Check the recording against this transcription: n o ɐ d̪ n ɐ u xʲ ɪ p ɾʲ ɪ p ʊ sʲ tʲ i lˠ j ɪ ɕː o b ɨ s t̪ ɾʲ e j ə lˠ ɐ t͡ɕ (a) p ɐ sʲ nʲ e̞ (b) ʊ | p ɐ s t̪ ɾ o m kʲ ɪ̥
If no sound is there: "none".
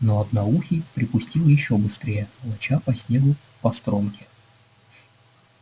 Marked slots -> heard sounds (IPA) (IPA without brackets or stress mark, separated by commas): a, ɡ